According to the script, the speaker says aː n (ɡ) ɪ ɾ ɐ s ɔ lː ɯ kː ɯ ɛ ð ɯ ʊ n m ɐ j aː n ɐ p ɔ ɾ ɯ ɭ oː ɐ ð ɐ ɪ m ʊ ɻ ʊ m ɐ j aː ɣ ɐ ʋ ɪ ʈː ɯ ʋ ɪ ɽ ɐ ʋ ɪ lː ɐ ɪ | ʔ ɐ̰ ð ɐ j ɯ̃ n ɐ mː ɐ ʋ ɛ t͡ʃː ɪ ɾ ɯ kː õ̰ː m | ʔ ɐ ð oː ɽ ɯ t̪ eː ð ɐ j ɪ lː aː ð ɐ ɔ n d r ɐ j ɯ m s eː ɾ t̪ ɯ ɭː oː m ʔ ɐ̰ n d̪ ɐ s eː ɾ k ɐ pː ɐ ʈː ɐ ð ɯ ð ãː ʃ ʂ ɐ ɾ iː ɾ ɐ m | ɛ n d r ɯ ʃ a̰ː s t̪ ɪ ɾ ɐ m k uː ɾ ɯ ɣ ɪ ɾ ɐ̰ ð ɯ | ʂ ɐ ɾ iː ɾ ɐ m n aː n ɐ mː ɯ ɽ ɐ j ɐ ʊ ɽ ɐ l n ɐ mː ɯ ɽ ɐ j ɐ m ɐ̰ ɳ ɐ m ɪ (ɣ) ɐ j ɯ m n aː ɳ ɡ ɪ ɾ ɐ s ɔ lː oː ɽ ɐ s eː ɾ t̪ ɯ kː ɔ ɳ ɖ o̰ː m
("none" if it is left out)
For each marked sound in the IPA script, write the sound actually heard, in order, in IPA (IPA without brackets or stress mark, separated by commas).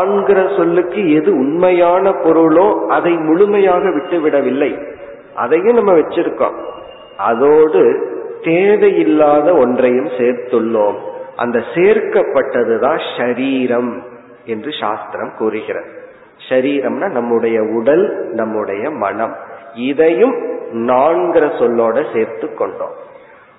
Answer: ɡ, ð